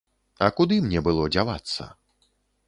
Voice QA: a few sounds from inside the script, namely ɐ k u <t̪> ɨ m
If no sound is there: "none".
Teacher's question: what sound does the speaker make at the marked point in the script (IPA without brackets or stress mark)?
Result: d̪